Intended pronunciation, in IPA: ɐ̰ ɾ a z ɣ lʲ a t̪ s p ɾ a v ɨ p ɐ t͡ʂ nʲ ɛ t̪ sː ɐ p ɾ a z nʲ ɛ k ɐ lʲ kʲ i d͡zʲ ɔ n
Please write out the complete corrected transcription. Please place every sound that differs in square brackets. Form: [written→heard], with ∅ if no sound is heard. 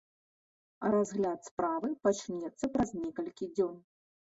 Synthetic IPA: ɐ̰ ɾ a z ɣ lʲ a t̪ s p ɾ a v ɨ p [ɐ→a] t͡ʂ nʲ ɛ t̪ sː ɐ p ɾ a z nʲ ɛ k ɐ lʲ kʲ i d͡zʲ ɔ n